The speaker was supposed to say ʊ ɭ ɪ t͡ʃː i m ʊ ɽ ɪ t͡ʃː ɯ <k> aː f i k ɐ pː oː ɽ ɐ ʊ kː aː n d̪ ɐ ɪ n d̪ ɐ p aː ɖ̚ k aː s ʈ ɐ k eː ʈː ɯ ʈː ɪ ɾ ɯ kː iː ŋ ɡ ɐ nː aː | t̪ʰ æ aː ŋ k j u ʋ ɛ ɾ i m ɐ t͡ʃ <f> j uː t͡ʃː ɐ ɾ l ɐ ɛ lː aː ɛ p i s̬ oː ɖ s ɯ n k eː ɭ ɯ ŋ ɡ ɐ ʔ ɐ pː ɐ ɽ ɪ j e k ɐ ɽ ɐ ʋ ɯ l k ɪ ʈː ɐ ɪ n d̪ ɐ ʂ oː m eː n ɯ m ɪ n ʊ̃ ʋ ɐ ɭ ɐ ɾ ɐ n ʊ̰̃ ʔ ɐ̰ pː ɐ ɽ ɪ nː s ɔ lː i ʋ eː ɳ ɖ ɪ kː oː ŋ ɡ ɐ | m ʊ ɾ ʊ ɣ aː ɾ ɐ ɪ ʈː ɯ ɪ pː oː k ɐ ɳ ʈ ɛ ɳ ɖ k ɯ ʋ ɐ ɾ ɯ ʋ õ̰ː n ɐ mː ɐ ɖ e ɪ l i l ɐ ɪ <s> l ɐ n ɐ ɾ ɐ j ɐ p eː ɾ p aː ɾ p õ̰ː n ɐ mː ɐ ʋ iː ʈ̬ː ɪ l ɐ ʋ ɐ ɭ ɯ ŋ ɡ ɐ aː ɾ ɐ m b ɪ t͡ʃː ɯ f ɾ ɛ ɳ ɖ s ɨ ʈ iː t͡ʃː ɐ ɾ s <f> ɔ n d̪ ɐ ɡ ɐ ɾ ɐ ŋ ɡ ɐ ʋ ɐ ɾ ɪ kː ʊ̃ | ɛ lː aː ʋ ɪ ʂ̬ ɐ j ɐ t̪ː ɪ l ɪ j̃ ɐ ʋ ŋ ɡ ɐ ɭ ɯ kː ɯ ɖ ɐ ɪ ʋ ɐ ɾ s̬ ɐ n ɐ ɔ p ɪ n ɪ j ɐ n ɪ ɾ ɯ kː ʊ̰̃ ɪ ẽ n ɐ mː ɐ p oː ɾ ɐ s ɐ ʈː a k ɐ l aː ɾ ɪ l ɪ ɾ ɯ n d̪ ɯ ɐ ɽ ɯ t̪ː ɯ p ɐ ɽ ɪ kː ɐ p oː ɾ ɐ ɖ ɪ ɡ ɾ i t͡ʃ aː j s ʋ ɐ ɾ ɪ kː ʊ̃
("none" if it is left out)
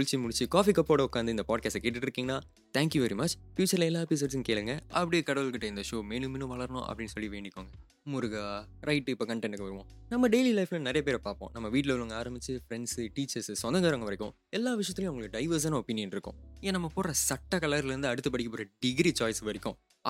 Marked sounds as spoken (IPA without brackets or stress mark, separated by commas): k, f, f, s